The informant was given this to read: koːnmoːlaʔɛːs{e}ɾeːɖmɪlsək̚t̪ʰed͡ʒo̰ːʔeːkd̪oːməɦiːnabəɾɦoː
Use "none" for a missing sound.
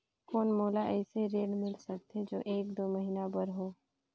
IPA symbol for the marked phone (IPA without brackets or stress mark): e